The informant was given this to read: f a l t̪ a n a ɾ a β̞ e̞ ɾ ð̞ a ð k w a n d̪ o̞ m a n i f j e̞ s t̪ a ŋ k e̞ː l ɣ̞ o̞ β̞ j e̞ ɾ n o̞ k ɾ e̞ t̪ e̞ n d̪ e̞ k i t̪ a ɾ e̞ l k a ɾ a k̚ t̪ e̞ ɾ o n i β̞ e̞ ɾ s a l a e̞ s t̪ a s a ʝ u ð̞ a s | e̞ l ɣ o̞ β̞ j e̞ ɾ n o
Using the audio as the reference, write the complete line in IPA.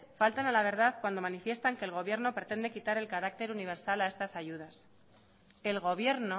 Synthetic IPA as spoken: f a l t̪ a n a l a β̞ e̞ ɾ ð̞ a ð k w a n d̪ o̞ m a n i f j e̞ s t̪ a ŋ k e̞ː l ɣ̞ o̞ β̞ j e̞ ɾ n o̞ p ɾ e̞ t̪ e̞ n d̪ e̞ k i t̪ a ɾ e̞ l k a ɾ a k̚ t̪ e̞ ɾ u n i β̞ e̞ ɾ s a l a e̞ s t̪ a s a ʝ u ð̞ a s | e̞ l ɣ o̞ β̞ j e̞ ɾ n o